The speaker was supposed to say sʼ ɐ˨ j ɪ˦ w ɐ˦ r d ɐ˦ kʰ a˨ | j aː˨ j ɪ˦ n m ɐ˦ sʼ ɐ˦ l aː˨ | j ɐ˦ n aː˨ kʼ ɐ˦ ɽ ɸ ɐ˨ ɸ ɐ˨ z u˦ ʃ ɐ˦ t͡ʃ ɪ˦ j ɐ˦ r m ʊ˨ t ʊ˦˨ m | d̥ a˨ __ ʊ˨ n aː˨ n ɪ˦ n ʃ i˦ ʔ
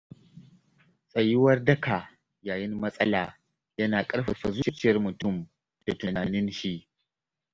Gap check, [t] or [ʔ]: t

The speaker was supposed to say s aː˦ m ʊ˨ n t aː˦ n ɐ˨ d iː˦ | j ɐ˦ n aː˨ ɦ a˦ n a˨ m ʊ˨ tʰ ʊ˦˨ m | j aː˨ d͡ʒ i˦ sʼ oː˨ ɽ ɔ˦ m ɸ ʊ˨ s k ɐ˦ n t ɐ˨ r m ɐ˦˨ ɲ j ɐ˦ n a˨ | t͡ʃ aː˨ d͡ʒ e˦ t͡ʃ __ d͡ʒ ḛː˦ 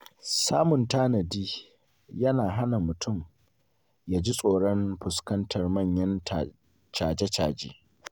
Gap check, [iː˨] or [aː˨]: aː˨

